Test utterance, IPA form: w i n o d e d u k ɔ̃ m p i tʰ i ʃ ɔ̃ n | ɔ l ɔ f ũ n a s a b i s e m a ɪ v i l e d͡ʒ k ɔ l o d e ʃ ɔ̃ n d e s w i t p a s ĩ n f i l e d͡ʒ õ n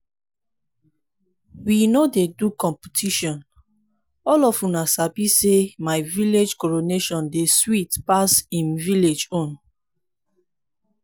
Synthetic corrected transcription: w i n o d e d u k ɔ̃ m p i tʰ i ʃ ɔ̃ n | ɔ l ɔ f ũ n a s a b i s e m a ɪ v i l e d͡ʒ k ɔ ɹ o n e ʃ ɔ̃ n d e s w i t p a s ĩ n v i l e d͡ʒ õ n